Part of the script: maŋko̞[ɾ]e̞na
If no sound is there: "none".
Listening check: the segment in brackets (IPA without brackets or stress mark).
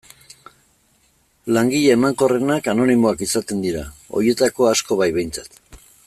r